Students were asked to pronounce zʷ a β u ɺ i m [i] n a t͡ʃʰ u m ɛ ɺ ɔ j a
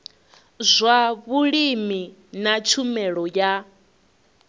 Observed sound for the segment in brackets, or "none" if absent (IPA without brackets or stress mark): i